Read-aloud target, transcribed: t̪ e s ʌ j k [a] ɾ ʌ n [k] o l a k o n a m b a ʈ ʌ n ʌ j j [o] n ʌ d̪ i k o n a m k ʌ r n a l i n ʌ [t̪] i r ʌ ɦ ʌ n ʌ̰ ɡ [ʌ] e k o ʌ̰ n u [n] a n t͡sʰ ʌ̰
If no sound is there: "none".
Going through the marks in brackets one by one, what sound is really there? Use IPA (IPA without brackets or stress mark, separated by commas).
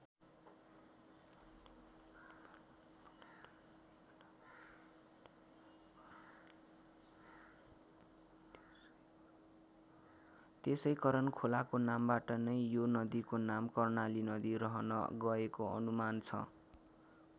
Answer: ʌ, kʰ, o, d̪, ʌ, m